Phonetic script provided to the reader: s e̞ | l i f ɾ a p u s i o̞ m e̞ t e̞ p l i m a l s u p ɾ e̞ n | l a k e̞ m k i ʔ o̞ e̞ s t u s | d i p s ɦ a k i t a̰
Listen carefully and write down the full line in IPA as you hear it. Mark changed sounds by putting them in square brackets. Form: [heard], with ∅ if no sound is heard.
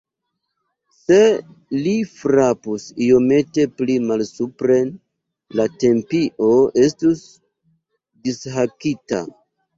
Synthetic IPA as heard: s e̞ | l i f ɾ a p u s i o̞ m e̞ t e̞ p l i m a l s u p ɾ e̞ n | l a [t] e̞ m [p] i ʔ o̞ e̞ s t u s | d i [∅] s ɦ a k i t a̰